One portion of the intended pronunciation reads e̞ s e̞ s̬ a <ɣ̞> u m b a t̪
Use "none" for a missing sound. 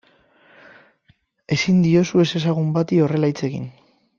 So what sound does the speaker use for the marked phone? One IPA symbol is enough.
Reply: ɣ̞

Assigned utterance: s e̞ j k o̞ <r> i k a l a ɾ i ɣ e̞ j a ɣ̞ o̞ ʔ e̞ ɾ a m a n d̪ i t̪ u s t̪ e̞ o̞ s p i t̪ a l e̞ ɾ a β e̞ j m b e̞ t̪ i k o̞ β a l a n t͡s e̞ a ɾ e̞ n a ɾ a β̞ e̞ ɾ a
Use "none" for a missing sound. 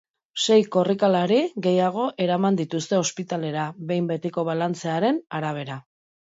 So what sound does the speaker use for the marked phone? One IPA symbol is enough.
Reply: r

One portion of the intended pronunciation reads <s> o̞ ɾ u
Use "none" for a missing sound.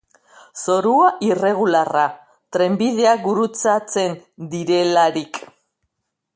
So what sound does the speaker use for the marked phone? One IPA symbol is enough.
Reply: s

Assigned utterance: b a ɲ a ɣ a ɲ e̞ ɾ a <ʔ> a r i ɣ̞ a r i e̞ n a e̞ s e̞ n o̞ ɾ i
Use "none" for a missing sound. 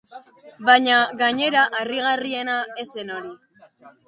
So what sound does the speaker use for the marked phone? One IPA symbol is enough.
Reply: ʔ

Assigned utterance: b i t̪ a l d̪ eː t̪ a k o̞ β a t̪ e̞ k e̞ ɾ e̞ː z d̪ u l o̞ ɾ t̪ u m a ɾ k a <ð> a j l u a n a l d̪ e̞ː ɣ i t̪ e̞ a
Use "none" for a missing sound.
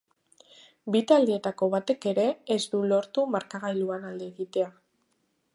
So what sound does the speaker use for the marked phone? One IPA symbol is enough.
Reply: ɣ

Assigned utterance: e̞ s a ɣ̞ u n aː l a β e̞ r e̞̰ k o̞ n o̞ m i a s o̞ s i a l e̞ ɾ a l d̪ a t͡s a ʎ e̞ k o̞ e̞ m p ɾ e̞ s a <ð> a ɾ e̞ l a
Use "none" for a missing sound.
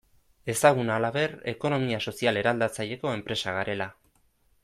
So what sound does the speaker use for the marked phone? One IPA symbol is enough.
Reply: ɣ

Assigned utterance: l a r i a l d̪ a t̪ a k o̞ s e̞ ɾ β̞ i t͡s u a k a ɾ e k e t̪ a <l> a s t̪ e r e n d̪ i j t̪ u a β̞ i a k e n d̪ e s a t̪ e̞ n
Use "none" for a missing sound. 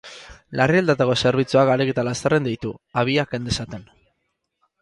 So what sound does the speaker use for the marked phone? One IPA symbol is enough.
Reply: l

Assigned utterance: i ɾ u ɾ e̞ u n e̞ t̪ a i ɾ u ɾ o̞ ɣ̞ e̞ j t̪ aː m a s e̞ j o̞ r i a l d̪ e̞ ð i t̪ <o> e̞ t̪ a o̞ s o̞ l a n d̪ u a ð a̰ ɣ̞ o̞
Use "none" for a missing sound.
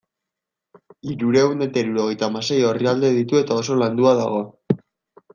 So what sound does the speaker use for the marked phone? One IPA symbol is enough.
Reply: u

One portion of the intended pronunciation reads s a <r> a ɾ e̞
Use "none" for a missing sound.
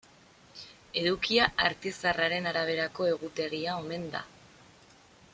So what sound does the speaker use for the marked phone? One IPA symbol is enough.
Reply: r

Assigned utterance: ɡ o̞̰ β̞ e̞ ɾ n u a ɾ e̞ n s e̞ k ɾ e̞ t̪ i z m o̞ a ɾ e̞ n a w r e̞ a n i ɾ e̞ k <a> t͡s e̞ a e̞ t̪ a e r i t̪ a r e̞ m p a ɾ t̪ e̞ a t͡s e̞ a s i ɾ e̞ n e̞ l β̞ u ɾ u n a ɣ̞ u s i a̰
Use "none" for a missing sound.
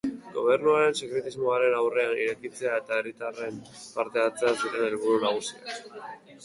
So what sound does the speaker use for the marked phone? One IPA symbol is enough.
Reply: i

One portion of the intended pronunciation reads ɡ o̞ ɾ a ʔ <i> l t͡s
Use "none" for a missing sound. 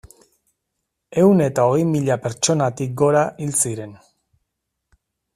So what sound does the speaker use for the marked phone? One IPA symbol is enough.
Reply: i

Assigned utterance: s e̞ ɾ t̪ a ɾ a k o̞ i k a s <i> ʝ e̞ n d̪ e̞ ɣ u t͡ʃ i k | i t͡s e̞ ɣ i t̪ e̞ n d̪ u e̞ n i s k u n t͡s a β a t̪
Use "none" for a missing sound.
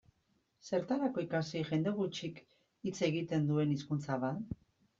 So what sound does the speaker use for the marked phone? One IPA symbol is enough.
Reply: i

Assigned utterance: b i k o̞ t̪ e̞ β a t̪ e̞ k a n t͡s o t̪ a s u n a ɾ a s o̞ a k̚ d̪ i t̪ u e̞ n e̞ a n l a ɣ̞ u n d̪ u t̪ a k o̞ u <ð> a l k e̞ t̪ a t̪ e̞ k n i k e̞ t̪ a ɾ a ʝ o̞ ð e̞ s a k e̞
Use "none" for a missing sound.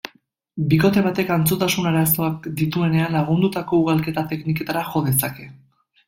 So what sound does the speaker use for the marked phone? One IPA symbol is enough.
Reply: ɣ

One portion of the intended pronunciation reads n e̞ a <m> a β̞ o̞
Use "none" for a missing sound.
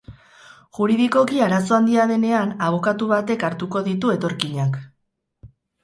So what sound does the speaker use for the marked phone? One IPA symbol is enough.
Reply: n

